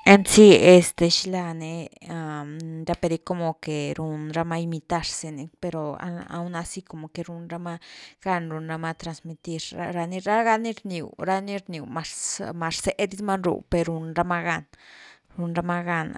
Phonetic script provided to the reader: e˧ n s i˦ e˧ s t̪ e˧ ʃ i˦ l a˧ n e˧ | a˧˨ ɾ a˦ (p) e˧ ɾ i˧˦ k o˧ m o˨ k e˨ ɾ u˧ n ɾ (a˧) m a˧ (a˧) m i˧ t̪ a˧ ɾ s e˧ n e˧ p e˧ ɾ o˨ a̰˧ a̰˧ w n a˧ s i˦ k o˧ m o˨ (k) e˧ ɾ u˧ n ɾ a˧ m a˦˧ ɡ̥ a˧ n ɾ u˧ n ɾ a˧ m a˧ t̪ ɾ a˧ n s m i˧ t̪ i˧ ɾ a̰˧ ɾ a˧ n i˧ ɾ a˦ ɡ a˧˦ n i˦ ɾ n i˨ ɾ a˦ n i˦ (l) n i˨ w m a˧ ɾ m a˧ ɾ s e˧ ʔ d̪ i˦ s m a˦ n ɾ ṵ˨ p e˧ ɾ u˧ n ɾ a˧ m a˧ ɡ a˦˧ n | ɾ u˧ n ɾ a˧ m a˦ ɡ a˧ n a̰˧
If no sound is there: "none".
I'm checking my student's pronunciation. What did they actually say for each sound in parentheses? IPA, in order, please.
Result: p, a˧, i˧, k, ɾ

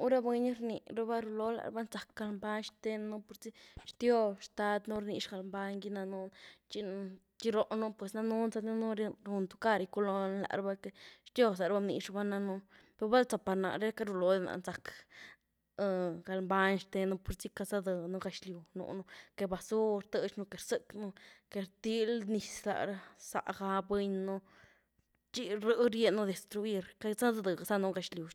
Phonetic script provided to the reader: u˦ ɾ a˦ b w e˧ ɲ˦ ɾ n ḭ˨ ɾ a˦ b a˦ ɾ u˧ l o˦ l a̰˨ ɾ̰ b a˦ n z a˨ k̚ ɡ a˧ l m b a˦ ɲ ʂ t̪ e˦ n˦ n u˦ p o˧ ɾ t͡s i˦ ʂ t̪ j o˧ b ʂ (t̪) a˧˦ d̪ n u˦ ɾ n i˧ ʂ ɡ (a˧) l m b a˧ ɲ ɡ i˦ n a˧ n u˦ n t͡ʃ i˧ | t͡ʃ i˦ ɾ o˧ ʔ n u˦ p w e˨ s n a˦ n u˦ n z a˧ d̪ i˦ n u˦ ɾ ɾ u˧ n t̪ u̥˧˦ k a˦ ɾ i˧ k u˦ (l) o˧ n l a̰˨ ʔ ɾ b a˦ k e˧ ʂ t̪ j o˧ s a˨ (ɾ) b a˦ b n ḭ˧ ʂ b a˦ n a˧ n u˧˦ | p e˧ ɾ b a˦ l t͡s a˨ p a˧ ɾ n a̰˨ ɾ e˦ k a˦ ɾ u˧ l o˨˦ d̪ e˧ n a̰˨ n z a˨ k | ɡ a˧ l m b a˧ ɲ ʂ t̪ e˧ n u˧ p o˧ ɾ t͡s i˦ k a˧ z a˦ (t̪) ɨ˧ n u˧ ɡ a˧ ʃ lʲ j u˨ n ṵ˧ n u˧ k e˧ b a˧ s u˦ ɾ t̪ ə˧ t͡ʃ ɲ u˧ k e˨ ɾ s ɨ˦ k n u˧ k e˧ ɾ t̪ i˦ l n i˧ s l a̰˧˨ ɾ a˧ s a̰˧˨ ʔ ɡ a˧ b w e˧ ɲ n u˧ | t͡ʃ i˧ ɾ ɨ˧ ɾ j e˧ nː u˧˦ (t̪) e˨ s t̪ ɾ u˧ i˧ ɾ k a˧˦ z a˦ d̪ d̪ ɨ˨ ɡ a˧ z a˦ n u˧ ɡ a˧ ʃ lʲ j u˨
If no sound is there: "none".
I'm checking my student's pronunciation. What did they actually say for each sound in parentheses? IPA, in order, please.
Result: t̪, a˧, l, ɾ, d̪, d̪

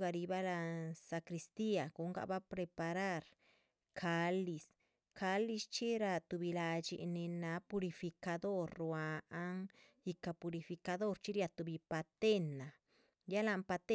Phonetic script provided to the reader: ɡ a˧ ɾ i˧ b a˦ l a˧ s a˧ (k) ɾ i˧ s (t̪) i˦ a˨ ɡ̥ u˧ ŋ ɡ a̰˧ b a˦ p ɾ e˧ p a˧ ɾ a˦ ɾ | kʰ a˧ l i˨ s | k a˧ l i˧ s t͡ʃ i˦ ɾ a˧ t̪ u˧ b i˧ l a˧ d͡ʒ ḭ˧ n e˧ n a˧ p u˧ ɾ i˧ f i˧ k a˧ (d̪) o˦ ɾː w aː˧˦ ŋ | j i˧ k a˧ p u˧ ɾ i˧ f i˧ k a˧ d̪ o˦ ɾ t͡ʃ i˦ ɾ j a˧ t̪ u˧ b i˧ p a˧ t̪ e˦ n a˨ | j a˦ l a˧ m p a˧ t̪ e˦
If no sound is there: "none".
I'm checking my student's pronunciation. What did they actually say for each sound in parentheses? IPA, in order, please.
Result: k, t̪, d̪

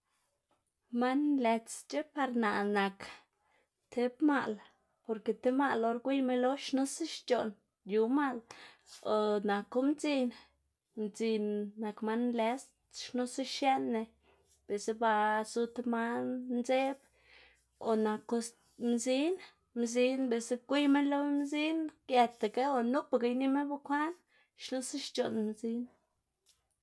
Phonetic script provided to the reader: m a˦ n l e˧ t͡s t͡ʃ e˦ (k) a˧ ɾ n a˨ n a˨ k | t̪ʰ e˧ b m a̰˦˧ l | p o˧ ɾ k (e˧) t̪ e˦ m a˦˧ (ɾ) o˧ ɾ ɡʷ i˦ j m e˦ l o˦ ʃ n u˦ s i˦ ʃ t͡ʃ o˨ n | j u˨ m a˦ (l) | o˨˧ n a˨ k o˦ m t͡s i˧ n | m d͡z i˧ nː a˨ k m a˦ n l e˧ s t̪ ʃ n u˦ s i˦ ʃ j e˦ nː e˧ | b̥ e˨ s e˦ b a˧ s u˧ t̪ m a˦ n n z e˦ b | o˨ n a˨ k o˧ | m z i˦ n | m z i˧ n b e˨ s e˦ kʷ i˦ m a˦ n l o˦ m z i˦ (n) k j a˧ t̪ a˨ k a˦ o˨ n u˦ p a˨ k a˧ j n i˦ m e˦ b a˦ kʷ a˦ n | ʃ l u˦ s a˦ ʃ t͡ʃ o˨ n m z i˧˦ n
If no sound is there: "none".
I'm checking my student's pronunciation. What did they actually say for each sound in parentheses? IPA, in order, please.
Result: p, e˧, l, l, n

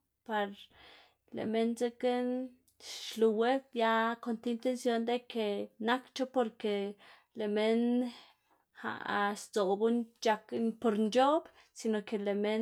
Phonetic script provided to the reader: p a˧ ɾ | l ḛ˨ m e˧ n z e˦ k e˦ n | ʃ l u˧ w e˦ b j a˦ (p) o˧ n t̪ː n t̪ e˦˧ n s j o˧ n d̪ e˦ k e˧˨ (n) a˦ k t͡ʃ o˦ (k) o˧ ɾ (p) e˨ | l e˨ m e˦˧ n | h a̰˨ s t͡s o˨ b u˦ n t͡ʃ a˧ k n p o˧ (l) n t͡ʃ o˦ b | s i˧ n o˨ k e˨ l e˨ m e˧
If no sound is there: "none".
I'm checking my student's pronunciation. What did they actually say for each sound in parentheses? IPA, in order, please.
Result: k, n, p, k, ɾ

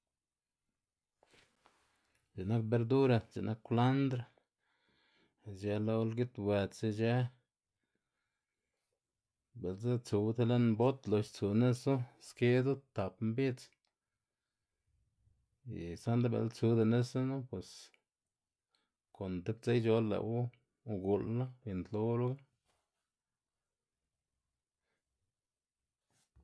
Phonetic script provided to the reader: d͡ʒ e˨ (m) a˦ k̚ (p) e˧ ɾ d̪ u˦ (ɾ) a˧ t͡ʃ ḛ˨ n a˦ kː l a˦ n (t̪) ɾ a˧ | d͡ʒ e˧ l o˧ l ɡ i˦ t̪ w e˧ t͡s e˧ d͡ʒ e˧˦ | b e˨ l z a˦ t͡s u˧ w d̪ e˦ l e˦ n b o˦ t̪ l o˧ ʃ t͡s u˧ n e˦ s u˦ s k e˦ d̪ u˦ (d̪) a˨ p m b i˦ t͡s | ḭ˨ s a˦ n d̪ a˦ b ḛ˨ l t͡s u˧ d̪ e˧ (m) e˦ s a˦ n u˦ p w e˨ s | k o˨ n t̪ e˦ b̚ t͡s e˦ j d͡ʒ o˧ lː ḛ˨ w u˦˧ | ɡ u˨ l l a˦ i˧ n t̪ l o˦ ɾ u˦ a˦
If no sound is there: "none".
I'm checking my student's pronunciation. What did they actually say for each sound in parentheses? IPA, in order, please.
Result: n, b, ɾ, d̪, t̪, n

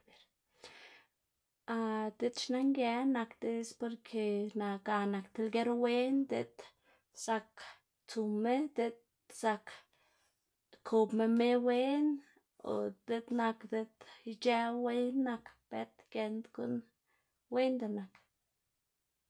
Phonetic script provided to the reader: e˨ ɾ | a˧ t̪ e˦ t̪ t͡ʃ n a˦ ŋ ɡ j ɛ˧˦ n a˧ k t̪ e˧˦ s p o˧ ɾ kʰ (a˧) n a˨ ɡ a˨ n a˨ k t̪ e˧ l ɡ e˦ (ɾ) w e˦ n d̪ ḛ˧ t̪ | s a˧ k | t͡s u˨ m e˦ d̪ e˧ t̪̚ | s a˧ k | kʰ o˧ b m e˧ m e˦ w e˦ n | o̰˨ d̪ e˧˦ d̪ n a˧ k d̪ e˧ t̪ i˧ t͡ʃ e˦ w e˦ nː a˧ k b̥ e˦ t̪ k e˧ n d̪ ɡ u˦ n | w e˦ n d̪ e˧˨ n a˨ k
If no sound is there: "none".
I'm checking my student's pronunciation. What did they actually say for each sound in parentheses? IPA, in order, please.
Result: e˧, ɾ

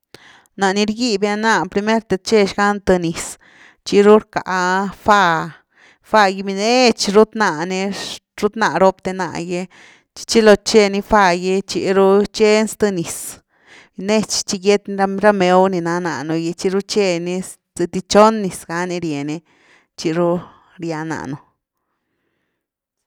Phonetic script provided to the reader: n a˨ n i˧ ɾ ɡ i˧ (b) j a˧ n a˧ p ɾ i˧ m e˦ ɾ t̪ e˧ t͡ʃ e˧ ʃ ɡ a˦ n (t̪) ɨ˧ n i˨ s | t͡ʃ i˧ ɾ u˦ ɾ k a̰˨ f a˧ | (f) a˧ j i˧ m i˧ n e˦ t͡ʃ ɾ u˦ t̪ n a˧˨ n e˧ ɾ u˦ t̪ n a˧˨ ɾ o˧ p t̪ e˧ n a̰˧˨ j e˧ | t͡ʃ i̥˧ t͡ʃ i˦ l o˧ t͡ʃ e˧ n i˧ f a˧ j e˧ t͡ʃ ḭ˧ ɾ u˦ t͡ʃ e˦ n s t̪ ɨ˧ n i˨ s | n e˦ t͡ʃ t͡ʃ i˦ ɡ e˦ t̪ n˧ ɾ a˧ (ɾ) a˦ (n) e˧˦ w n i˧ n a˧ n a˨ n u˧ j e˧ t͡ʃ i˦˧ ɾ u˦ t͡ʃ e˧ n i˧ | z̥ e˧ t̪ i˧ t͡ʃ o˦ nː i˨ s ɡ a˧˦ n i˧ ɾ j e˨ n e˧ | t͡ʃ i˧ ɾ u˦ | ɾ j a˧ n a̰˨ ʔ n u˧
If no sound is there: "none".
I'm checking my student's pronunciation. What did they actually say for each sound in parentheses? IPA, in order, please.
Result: b, t̪, f, ɾ, m

